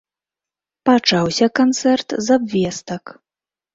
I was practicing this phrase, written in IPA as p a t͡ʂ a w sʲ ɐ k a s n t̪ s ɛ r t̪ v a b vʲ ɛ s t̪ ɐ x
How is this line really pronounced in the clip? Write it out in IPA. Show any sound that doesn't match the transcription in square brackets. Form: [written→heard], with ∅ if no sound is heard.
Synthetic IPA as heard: p a t͡ʂ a w sʲ ɐ k a [s→∅] n t̪ s ɛ r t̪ [v→z] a b vʲ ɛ s t̪ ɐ [x→k]